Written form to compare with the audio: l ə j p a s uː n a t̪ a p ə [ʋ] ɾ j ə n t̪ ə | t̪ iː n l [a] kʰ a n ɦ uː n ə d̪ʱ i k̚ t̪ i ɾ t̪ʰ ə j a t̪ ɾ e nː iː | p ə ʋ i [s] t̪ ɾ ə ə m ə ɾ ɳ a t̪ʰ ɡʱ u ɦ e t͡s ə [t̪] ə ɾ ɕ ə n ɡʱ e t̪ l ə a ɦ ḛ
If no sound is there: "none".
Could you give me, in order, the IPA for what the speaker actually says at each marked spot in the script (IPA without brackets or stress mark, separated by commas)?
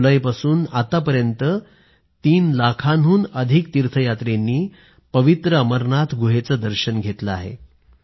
none, a, none, d̪